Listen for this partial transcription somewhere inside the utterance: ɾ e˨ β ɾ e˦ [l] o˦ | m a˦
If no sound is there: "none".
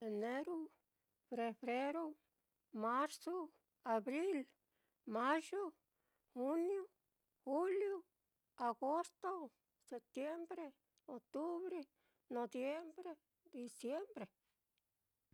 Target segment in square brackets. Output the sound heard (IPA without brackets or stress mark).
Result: ɾ